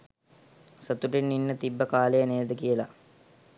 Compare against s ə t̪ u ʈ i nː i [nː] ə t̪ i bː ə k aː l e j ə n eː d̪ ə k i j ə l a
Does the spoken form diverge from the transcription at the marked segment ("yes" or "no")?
no